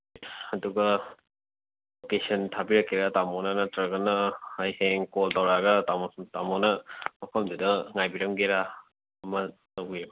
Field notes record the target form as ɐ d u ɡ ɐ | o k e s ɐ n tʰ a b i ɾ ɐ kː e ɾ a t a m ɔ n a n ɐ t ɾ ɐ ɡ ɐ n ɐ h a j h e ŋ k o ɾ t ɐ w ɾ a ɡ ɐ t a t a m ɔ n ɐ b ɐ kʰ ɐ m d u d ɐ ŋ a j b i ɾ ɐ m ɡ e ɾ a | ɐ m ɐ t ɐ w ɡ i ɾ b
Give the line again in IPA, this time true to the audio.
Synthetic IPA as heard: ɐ d u ɡ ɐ | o k e s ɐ n tʰ a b i ɾ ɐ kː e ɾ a t a m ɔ n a n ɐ t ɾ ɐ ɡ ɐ n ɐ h a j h e ŋ k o l t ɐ w ɾ a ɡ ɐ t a t a m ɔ n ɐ m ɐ pʰ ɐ m d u d ɐ ŋ a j b i ɾ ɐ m ɡ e ɾ a | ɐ m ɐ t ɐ w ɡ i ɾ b